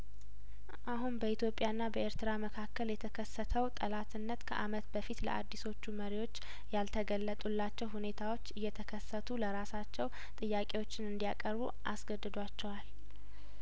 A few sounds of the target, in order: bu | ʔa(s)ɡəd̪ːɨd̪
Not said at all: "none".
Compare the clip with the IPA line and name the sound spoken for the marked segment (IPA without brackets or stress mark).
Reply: s